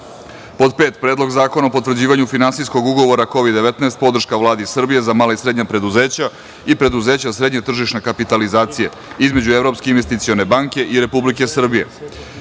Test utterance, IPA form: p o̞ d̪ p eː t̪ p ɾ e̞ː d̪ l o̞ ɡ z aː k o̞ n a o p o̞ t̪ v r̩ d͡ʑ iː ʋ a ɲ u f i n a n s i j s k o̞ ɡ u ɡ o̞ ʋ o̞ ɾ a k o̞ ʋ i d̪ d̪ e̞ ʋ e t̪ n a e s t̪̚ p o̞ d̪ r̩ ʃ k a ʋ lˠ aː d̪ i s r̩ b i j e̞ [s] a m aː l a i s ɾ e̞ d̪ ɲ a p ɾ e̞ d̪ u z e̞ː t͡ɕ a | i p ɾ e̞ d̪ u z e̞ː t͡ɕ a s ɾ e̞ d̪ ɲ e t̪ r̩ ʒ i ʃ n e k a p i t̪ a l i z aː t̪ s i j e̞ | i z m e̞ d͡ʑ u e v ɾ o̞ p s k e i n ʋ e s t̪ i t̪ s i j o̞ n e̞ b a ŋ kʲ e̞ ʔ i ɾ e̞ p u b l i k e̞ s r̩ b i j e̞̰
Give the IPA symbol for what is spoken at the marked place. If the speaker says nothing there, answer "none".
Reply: z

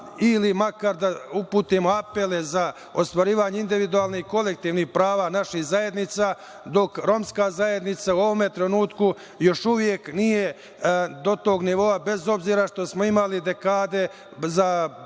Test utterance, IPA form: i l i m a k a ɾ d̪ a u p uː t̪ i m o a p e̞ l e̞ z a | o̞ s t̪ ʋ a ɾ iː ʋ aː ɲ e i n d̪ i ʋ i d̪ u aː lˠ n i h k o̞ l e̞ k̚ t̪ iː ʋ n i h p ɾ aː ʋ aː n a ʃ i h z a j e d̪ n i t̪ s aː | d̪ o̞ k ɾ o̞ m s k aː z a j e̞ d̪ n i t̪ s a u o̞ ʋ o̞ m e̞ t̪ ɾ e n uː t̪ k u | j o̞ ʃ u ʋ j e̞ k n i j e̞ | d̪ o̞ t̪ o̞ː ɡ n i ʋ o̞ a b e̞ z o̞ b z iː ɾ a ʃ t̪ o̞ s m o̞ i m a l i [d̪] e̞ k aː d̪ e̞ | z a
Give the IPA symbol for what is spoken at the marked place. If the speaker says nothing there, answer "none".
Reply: d̪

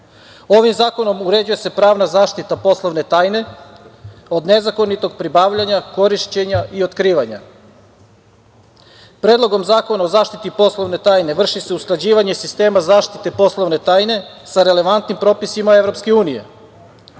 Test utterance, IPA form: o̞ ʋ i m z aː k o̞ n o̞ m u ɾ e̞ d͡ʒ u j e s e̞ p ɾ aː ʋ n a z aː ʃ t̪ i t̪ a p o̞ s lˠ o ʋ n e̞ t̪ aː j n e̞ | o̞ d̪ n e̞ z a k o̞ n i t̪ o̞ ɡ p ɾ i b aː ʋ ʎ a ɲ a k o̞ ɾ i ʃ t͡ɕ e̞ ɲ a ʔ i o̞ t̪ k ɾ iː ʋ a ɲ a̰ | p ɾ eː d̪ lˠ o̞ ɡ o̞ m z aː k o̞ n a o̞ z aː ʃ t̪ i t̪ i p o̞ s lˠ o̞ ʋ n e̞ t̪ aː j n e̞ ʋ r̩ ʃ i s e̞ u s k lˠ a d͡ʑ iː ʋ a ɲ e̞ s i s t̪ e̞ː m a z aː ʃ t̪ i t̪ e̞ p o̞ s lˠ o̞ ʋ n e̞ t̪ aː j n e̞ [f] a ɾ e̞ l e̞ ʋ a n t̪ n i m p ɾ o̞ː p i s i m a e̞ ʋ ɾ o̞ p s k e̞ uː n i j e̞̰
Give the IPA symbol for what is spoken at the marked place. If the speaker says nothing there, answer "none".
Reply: s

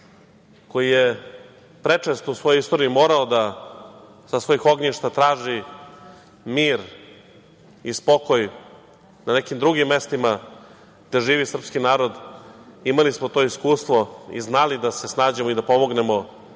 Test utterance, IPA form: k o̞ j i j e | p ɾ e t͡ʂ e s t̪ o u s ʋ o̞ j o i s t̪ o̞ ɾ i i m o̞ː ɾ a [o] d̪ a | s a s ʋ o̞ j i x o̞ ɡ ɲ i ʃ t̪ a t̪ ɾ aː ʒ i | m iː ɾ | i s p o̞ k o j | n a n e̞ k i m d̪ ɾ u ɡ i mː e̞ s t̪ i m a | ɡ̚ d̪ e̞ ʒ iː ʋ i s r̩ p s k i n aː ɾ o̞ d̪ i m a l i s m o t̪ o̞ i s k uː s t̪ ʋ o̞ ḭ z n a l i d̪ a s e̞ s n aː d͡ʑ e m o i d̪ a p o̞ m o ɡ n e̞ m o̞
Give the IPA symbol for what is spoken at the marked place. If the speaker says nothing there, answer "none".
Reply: o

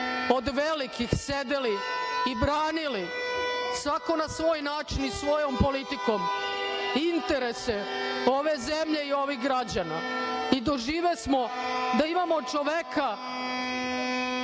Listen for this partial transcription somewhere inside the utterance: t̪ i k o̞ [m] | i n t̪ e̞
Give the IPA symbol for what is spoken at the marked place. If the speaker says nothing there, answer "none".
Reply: m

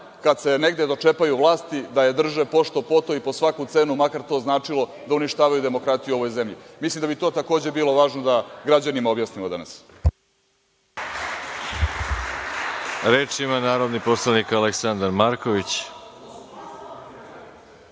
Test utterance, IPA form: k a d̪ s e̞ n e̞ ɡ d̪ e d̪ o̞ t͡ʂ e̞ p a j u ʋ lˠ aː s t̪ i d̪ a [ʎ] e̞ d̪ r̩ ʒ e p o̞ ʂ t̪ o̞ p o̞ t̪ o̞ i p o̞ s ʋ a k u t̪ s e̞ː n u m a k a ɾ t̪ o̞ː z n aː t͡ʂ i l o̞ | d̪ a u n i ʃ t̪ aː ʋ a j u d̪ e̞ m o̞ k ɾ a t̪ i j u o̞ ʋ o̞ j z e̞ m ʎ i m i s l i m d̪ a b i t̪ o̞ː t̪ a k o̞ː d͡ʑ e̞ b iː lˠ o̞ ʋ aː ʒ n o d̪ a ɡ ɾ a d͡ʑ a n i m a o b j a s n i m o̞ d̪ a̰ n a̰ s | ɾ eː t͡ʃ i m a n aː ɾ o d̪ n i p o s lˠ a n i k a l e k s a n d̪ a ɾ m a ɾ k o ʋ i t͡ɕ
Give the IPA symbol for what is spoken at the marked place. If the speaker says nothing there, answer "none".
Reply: j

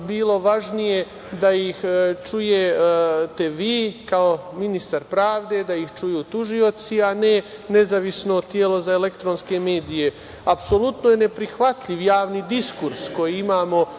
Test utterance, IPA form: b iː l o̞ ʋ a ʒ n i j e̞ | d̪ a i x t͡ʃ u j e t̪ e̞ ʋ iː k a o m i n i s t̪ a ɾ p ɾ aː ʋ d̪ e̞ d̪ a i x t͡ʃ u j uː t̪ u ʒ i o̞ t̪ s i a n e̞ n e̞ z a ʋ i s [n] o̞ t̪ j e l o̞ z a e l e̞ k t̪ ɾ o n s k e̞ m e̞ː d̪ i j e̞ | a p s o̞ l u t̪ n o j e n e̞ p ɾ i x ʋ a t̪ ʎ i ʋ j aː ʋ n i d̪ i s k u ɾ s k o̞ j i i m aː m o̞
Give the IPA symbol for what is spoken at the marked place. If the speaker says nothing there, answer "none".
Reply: n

